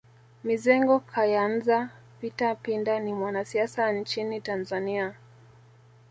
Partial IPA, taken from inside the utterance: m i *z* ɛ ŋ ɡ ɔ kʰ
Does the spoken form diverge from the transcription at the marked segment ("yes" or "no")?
no